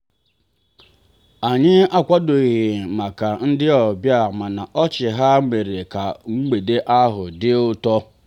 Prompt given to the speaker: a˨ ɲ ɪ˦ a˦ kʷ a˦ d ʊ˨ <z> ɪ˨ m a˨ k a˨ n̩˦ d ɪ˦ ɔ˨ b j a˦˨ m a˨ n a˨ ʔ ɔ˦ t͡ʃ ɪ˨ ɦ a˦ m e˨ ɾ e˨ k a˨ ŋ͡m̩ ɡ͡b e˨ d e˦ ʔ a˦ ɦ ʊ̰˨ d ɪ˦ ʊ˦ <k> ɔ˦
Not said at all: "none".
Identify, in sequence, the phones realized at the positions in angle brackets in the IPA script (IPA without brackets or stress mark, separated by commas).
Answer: ɣ, t